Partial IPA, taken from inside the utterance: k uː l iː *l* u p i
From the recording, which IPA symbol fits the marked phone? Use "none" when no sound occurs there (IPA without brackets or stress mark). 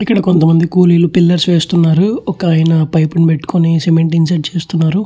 l